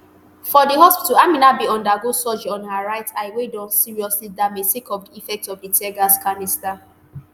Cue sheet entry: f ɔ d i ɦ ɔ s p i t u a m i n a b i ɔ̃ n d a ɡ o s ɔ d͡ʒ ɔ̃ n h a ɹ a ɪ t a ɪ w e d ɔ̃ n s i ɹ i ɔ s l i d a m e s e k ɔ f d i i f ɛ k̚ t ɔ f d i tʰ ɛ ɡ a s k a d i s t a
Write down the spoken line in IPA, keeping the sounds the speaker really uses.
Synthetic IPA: f ɔ d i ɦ ɔ s p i t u a m i n a b i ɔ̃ n d a ɡ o s ɔ d͡ʒ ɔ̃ n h a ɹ a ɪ t a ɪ w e d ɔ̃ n s i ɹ i ɔ s l i d a m e s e k ɔ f d i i f ɛ k̚ t ɔ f d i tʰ ɛ ɡ a s k a n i s t a